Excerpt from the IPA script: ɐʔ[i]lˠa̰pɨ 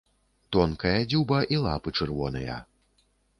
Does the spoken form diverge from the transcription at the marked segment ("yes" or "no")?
no